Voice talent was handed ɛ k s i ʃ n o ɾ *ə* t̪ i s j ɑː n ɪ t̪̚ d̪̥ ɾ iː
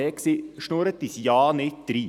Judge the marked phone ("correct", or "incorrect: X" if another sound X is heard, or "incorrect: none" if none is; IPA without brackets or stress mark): correct